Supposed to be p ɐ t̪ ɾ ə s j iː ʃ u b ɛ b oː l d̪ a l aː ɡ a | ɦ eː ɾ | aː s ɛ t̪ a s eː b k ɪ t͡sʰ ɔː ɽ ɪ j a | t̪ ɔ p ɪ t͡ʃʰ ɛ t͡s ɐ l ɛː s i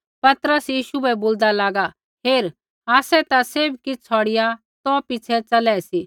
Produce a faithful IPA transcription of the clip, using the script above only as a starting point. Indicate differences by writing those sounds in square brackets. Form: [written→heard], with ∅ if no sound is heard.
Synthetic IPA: p ɐ t̪ ɾ ə s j iː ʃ u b ɛ b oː l d̪ a l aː ɡ a | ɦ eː ɾ | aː s ɛ t̪ a s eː b k ɪ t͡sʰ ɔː ɽ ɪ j a | t̪ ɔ p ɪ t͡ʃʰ ɛ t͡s ɐ l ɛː s i